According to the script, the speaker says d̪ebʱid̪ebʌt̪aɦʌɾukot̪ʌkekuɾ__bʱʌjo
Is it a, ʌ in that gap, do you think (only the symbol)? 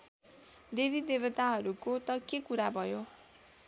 a